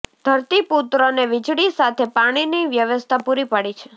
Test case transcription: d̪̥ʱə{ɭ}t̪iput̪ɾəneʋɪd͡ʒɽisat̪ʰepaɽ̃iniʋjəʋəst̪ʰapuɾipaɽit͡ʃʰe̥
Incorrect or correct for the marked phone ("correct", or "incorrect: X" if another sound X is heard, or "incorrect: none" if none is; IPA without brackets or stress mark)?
incorrect: ɾ